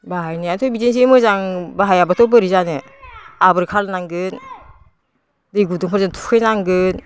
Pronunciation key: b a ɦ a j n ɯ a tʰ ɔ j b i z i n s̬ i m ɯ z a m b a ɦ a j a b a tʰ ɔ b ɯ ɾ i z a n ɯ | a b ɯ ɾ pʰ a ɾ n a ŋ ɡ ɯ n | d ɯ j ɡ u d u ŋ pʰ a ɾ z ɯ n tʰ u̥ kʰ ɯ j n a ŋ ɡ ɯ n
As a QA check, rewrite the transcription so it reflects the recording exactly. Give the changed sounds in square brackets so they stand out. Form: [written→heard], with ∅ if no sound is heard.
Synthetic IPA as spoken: b a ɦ a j n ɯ a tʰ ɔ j b i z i n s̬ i m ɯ z a [m→ŋ] b a ɦ a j a b a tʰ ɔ b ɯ ɾ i z a n ɯ | a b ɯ ɾ [pʰ→kʰ] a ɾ n a ŋ ɡ ɯ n | d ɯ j ɡ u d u ŋ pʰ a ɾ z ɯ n tʰ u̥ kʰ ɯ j n a ŋ ɡ ɯ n